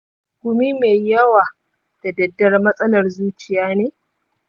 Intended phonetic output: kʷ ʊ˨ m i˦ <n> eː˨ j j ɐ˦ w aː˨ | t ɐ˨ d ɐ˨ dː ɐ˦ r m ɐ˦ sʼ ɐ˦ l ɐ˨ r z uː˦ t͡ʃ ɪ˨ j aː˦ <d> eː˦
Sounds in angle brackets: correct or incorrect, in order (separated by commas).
incorrect, incorrect